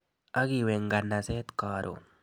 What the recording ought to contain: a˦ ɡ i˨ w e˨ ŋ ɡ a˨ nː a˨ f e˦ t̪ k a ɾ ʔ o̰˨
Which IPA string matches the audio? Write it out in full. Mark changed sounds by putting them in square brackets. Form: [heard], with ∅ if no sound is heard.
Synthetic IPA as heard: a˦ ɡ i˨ w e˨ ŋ ɡ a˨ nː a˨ [s] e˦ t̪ k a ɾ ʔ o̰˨

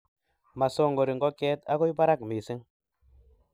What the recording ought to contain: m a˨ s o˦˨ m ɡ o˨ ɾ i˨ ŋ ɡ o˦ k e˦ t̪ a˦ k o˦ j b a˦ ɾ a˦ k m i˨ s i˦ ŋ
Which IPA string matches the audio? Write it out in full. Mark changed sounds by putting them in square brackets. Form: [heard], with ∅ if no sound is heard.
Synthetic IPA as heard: m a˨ s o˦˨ [ŋ] ɡ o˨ ɾ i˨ ŋ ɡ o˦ k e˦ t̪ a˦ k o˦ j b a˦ ɾ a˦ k m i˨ s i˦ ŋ

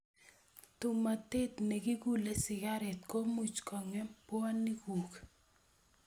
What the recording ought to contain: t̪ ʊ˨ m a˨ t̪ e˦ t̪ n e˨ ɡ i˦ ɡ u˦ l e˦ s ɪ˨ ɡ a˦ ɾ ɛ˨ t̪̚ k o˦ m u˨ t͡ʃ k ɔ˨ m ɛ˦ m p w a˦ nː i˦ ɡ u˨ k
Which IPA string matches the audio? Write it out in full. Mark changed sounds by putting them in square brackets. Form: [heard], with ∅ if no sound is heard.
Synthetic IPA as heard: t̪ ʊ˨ m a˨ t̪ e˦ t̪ n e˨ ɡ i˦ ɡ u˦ l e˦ s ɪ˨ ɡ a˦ ɾ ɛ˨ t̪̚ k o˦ m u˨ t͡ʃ k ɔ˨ [ŋ] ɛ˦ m p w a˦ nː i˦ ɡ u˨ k

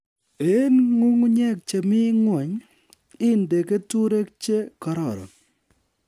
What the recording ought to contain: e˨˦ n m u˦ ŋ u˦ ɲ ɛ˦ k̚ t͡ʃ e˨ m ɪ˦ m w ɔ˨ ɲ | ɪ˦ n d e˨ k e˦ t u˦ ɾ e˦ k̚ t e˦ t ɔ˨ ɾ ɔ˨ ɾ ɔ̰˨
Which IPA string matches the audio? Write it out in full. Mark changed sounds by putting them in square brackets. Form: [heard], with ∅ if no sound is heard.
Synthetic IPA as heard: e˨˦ n [ŋ] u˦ ŋ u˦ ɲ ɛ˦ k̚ t͡ʃ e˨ m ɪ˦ [ŋ] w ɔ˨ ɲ | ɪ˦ n d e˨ k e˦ t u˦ ɾ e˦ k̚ [t͡ʃ] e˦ [k] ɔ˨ ɾ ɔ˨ ɾ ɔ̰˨

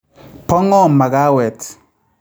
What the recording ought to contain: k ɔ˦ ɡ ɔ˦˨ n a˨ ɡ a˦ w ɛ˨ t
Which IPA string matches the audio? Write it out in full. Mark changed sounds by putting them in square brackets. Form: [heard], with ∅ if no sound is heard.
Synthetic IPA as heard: [p] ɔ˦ [ŋ] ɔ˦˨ [m] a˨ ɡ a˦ w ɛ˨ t

